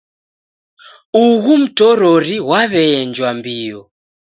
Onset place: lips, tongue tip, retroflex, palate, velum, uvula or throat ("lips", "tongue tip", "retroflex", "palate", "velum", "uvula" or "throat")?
velum